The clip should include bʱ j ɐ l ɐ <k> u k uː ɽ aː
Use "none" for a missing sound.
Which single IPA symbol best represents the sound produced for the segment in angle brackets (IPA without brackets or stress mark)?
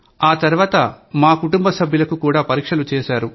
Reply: k